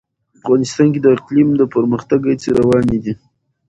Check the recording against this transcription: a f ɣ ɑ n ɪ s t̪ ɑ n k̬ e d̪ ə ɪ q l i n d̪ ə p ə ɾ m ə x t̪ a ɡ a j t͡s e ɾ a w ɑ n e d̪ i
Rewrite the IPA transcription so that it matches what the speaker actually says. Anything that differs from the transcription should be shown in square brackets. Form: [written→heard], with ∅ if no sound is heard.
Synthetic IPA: a f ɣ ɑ n ɪ s t̪ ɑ n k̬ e d̪ ə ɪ q l i [n→m] d̪ ə p ə ɾ m ə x t̪ a ɡ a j t͡s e ɾ a w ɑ n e d̪ i